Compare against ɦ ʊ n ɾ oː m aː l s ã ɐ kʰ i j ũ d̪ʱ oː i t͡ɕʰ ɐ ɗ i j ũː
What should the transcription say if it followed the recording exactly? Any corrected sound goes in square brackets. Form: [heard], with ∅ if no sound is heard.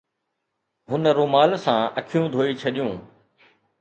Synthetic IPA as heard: ɦ ʊ n ɾ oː m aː l s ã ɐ kʰ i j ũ d̪ʱ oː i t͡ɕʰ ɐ ɗ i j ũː

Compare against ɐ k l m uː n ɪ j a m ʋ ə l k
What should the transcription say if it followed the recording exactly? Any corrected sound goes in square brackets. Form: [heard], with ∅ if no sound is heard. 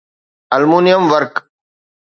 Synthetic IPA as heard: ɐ [∅] l m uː n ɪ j [ə] m ʋ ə [ɾ] k

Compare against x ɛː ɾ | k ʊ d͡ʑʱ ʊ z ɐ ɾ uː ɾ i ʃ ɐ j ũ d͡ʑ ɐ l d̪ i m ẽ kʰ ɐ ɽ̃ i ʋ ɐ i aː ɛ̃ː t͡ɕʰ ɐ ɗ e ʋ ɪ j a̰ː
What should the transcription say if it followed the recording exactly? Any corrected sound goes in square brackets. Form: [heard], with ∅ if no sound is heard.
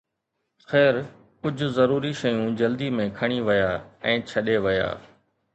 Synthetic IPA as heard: x ɛː ɾ | k ʊ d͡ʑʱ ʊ z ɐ ɾ uː ɾ i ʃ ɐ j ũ d͡ʑ ɐ l d̪ i m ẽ kʰ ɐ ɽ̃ i ʋ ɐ [j] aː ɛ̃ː t͡ɕʰ ɐ ɗ e ʋ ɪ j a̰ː

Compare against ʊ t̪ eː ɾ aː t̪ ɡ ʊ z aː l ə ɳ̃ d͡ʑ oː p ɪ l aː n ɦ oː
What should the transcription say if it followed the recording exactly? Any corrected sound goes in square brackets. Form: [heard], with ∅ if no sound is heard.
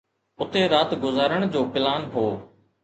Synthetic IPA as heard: ʊ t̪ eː ɾ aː t̪ ɡ ʊ z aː [ɾ] ə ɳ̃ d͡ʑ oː p ɪ l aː n ɦ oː

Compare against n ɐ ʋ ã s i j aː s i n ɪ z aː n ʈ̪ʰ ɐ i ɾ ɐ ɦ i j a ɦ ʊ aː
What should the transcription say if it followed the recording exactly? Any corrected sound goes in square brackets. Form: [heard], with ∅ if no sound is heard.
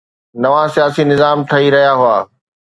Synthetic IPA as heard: n ɐ ʋ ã s i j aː s i n ɪ z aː [m] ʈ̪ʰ ɐ i ɾ ɐ ɦ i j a ɦ ʊ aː

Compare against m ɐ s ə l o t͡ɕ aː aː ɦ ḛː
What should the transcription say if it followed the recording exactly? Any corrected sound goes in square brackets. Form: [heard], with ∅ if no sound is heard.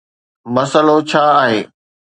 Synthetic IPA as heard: m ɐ s ə l o [t͡ɕʰ] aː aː ɦ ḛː

